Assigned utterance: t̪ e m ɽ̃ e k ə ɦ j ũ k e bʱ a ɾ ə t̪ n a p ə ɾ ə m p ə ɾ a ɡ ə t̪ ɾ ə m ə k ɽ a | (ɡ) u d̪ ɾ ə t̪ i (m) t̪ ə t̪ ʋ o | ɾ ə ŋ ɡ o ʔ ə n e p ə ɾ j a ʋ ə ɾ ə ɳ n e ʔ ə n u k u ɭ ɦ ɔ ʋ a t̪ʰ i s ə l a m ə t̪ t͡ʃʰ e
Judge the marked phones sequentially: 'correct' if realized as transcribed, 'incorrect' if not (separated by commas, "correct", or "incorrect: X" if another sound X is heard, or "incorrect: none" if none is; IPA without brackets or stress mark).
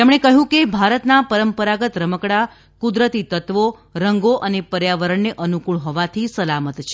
incorrect: k, incorrect: none